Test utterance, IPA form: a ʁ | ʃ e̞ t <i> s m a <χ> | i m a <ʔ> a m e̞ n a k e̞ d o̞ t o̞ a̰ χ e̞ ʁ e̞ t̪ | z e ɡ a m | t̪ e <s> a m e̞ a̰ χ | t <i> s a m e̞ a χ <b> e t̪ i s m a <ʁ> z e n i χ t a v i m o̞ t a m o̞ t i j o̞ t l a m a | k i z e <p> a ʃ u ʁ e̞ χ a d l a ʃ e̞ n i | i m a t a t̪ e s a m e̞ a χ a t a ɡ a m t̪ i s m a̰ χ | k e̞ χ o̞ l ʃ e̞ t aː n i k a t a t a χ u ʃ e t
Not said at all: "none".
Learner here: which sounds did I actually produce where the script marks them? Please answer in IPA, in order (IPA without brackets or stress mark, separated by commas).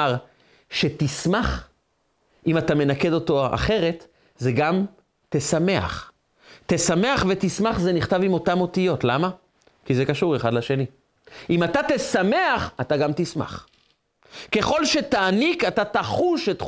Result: i, χ, t, s, e, v, χ, k